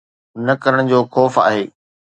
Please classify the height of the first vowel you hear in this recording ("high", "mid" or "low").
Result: low